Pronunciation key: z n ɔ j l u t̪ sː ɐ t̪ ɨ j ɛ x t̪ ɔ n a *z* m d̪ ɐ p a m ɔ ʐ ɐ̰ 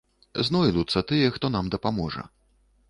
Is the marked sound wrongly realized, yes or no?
yes